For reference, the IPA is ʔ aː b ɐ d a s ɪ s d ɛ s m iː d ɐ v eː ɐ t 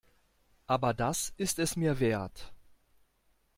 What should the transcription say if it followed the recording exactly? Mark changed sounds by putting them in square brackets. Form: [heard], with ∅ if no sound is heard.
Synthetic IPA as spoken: ʔ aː b ɐ d a s ɪ s [t] ɛ s m iː [∅] ɐ v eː ɐ t